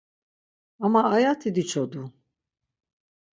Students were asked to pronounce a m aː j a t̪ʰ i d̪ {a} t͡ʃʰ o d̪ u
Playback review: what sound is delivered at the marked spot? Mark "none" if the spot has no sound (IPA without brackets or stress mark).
i